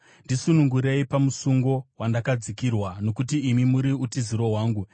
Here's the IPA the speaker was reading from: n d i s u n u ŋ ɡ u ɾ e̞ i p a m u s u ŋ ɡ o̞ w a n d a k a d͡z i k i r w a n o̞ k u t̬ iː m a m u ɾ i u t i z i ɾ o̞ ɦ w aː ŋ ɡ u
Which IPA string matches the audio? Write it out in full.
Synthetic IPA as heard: n d i s u n u ŋ ɡ u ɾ e̞ i p a m u s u ŋ ɡ o̞ w a n d a k a d͡z i k i r w a n o̞ k u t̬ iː m i m u ɾ i u t i z i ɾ o̞ ɦ w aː ŋ ɡ u